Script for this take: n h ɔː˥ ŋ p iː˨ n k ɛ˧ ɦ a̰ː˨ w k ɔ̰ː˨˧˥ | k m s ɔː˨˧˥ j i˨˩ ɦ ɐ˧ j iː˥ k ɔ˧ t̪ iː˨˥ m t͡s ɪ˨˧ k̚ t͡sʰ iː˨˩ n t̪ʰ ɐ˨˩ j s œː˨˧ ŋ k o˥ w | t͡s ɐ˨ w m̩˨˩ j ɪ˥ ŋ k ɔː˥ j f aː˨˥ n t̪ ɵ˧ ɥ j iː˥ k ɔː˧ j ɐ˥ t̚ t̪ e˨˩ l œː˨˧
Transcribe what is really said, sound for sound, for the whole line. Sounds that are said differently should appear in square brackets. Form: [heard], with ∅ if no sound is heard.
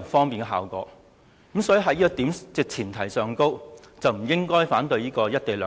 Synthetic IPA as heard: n [f] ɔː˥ ŋ p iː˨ n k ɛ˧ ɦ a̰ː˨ w k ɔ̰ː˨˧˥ | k m s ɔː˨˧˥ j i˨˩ ɦ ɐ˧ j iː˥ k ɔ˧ t̪ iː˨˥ m t͡s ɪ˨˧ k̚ t͡sʰ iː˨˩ n t̪ʰ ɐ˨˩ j s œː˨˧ ŋ k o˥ w | t͡s ɐ˨ w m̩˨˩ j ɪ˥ ŋ k ɔː˥ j f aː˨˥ n t̪ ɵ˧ ɥ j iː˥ k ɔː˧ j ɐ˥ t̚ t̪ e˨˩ l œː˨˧